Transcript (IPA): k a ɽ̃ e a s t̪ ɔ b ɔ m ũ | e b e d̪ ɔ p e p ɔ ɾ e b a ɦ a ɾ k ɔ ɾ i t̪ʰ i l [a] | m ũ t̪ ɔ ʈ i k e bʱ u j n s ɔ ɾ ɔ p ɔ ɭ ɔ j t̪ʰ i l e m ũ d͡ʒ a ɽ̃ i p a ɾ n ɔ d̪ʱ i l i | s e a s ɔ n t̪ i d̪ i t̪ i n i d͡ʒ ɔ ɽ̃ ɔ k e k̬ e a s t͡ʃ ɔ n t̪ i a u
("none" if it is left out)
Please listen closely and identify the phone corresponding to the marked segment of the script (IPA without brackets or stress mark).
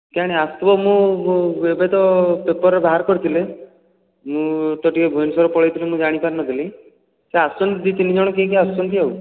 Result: e